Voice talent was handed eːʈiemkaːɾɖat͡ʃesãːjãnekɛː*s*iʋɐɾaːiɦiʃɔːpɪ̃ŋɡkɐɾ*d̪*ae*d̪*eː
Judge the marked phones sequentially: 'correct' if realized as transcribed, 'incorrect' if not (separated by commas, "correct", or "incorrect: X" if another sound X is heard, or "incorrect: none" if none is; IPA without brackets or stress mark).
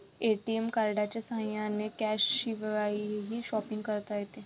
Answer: incorrect: ʃ, incorrect: t̪, incorrect: t̪